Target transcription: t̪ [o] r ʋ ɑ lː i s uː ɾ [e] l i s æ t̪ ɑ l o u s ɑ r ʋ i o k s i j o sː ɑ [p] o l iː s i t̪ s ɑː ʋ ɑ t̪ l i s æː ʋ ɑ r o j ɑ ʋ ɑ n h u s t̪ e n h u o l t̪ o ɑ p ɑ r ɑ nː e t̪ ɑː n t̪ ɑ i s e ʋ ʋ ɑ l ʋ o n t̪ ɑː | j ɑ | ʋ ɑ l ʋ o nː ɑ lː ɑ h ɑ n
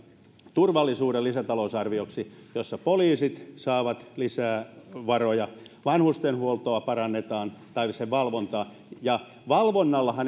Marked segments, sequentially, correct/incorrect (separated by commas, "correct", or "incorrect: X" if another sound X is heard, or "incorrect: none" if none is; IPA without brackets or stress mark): incorrect: u, correct, correct